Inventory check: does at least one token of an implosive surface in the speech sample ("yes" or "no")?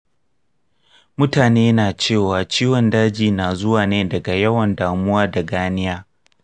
no